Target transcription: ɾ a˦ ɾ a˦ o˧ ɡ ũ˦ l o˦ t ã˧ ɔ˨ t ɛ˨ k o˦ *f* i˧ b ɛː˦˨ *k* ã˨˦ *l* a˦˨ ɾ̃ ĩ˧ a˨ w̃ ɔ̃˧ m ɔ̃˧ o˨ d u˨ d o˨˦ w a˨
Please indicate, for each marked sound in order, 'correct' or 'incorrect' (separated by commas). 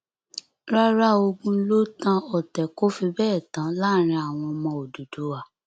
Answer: correct, incorrect, correct